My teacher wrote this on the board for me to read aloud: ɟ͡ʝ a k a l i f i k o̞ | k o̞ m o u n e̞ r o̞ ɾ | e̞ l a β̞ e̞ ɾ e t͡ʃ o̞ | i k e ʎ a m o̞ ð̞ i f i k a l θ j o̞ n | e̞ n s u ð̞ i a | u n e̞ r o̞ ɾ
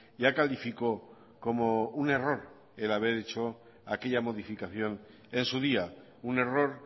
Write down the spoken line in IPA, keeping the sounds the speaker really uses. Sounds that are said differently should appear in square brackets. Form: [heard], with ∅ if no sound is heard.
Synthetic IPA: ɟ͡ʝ a k a l i f i k o̞ | k o̞ m o u n e̞ r o̞ ɾ | e̞ l a β̞ e̞ ɾ e t͡ʃ o̞ | [a] k e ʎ a m o̞ ð̞ i f i k a [∅] θ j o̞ n | e̞ n s u ð̞ i a | u n e̞ r o̞ ɾ